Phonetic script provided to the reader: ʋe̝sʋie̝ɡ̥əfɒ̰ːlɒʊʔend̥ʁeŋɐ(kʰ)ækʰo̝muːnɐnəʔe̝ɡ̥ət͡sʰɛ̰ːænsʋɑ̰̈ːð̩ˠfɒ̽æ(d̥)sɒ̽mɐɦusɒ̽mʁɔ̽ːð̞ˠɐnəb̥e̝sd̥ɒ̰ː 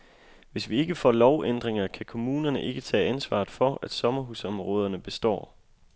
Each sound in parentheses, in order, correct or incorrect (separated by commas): correct, correct